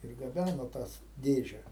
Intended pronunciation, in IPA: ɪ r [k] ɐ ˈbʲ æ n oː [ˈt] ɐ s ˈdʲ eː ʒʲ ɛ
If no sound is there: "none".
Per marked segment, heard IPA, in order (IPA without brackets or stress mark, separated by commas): ɡ, t